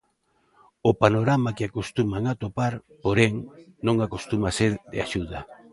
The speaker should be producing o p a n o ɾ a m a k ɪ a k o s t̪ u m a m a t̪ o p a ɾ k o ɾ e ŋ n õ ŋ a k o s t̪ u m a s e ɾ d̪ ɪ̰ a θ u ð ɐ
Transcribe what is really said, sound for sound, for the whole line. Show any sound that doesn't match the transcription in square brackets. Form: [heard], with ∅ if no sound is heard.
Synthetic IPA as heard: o p a n o ɾ a m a k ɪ a k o s t̪ u m a [ŋ] a t̪ o p a ɾ [p] o ɾ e ŋ n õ ŋ a k o s t̪ u m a s e ɾ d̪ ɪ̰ a [ʃ] u ð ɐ